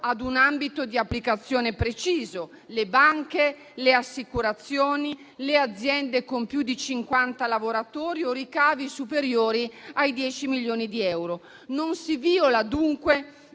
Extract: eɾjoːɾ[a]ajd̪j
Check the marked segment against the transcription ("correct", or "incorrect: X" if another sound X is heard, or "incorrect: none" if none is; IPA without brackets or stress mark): incorrect: i